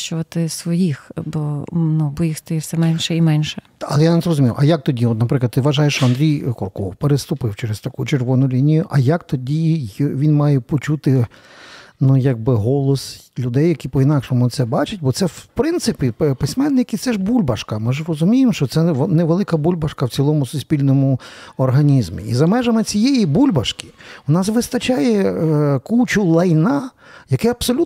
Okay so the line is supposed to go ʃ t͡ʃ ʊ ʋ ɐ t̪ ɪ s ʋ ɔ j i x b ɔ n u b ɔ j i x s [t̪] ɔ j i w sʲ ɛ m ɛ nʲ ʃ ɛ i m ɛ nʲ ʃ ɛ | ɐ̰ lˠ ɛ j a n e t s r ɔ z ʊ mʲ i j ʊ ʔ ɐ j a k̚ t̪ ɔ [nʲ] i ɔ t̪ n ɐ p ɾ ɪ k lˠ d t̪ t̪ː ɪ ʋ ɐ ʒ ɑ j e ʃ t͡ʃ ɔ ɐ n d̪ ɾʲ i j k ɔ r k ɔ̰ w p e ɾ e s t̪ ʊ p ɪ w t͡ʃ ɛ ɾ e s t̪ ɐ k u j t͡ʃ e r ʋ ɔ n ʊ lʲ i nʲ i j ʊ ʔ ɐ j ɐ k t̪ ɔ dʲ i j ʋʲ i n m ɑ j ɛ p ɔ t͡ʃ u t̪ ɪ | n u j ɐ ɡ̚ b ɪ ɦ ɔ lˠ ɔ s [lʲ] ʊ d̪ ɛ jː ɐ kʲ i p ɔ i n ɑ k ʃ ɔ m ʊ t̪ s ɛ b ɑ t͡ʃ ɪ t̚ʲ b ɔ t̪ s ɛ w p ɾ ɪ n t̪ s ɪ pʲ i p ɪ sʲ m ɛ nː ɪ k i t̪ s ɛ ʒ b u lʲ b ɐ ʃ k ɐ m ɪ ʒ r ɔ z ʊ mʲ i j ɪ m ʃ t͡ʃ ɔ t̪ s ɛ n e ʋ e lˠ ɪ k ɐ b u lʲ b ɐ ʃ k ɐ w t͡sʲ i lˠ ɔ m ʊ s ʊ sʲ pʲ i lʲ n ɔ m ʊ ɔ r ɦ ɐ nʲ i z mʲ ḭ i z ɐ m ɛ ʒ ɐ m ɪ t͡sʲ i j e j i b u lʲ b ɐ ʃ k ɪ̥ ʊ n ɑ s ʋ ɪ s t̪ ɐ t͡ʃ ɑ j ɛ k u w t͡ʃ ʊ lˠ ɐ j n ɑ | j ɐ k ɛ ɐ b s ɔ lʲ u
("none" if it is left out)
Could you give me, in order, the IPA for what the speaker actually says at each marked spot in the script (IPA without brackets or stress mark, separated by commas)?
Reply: t̪, dʲ, lʲ